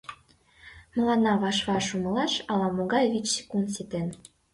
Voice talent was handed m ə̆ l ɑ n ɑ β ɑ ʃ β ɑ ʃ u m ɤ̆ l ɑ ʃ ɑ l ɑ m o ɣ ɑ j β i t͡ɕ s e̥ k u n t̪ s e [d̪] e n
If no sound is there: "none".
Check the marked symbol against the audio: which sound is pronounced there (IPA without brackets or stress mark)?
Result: t̪